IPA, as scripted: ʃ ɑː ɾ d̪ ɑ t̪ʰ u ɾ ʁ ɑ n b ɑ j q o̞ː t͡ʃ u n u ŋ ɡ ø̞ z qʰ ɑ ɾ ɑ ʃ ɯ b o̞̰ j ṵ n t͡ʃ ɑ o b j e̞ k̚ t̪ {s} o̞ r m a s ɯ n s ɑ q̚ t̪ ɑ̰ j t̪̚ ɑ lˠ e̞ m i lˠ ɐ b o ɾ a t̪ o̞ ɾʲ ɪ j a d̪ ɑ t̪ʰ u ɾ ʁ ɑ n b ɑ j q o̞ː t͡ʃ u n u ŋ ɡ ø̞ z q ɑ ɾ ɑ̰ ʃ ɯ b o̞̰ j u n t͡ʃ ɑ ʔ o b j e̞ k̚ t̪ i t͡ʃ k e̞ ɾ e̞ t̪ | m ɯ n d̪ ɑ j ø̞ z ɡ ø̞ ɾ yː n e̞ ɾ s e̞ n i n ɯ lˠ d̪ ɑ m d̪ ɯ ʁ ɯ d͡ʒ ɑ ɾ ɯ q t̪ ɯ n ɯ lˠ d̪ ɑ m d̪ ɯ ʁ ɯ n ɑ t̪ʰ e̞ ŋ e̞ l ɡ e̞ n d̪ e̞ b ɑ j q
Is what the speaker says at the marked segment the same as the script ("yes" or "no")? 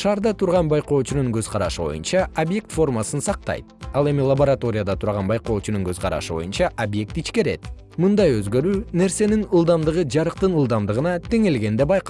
no